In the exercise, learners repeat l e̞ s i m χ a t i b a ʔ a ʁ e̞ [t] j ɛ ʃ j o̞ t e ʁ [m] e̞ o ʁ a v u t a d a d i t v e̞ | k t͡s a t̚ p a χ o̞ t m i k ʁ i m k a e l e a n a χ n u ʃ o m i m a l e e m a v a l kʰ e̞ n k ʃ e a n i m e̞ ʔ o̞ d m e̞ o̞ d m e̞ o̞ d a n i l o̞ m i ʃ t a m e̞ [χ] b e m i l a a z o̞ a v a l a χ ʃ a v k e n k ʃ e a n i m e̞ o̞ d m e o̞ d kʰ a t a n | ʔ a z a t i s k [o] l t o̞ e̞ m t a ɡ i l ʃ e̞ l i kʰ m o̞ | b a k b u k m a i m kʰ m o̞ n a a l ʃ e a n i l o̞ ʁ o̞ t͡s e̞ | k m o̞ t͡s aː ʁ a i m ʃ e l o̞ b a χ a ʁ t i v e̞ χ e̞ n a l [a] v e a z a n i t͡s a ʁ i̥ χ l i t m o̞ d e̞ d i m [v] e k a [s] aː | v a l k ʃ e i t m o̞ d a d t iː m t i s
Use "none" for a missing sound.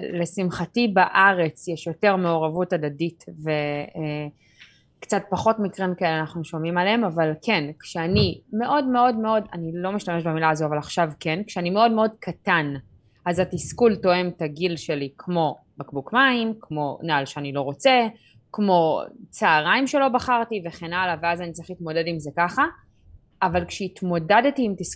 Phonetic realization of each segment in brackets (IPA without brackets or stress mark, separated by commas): t͡s, m, ʃ, u, a, z, χ